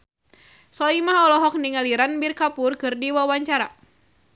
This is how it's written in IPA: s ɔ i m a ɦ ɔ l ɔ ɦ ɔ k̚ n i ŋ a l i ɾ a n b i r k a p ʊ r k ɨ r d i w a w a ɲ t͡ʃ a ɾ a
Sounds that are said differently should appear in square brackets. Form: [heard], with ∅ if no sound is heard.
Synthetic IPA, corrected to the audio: s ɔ i m a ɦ ɔ l ɔ ɦ ɔ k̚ n i ŋ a l i ɾ a n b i r k a p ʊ r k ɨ r d i w a w a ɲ t͡ʃ a ɾ a